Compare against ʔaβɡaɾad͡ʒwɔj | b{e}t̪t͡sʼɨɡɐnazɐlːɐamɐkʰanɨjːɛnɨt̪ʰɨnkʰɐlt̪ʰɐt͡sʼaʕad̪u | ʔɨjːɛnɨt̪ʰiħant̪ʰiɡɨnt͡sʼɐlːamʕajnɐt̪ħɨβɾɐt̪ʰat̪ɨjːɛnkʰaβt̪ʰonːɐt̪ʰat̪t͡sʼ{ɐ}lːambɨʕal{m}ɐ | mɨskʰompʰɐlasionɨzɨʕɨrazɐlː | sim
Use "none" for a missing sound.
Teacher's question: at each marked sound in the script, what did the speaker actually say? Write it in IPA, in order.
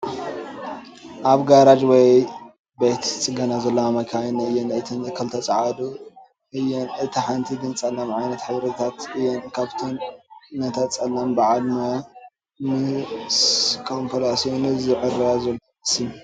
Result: e, ɐ, m

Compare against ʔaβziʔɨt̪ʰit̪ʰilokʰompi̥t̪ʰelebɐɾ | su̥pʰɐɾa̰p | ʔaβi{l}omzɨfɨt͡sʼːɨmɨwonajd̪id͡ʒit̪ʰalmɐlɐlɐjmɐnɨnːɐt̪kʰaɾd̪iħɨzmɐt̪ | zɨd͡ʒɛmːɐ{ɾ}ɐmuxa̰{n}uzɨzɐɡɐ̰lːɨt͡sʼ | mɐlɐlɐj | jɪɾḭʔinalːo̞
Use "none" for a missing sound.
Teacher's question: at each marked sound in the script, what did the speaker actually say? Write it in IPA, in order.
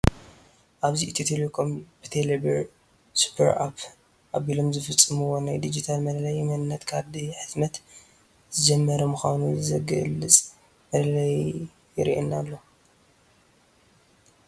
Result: l, ɾ, n

